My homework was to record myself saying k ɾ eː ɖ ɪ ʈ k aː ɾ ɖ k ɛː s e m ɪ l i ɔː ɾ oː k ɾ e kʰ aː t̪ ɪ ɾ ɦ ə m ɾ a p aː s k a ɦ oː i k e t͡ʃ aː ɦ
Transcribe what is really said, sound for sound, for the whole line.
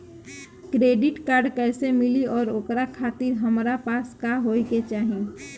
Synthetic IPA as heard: k ɾ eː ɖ ɪ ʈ k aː ɾ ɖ k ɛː s e m ɪ l i ɔː ɾ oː k ɾ a kʰ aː t̪ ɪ ɾ ɦ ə m ɾ a p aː s k a ɦ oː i k e t͡ʃ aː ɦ